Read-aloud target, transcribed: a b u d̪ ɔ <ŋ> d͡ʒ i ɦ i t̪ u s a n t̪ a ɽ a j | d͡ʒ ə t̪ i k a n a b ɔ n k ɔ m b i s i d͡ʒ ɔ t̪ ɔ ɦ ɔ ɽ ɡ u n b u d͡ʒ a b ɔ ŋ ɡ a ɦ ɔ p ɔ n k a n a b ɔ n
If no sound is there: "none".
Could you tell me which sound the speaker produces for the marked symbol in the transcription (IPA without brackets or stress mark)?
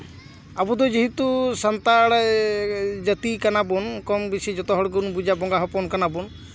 none